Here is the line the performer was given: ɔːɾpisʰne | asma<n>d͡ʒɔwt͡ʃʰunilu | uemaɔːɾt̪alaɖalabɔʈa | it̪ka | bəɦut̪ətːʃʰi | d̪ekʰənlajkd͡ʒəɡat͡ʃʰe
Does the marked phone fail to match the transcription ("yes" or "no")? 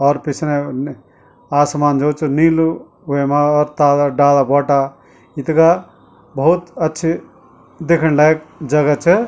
no